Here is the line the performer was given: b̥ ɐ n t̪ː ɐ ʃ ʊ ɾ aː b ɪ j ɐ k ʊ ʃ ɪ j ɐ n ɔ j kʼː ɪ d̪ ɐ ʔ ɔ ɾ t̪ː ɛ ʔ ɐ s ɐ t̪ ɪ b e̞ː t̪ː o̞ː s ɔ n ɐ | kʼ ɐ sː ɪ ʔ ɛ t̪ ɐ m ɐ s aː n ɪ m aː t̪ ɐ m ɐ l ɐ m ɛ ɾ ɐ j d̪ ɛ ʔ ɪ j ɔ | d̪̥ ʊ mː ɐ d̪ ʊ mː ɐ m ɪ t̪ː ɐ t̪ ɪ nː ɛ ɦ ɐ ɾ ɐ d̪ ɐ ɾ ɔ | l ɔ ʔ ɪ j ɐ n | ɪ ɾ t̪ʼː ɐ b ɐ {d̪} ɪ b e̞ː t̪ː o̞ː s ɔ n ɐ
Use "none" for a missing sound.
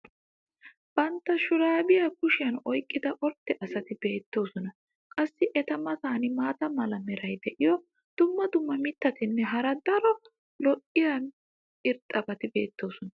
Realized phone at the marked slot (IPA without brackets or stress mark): t̪